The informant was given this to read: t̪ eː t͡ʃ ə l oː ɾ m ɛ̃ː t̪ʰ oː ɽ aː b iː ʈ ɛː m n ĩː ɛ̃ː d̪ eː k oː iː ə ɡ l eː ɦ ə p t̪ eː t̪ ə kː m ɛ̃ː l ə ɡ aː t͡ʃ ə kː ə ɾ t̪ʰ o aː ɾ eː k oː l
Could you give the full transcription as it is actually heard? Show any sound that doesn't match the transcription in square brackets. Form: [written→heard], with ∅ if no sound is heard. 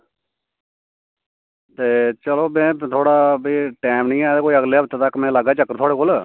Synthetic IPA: t̪ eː t͡ʃ ə l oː [ɾ→∅] m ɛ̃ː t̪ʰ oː ɽ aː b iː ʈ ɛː m n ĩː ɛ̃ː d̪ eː k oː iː ə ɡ l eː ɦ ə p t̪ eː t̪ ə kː m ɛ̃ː l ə ɡ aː t͡ʃ ə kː ə ɾ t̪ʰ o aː [ɾ→ɽ] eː k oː l